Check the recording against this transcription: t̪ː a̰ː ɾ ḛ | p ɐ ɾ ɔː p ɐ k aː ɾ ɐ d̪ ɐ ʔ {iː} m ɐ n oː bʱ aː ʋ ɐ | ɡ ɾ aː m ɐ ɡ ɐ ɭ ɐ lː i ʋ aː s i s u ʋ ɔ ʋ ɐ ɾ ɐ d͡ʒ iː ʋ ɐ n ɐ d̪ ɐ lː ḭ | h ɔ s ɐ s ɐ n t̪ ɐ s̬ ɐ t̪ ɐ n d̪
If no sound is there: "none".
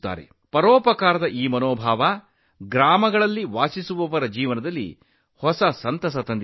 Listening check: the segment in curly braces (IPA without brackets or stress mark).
iː